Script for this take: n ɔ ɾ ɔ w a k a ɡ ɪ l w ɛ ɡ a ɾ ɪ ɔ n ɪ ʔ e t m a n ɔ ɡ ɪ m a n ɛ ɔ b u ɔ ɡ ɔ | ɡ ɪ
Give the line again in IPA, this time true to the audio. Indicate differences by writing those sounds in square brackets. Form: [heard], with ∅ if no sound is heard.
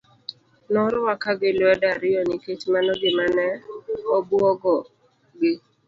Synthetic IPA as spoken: n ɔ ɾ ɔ w a k a ɡ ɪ l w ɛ [d] a ɾ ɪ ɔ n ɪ [k] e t m a n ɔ ɡ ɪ m a n ɛ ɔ b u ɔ ɡ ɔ | ɡ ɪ